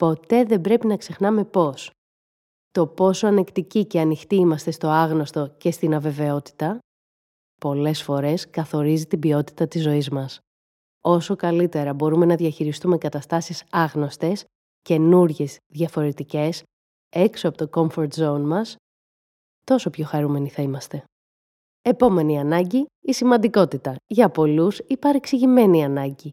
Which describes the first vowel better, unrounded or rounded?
rounded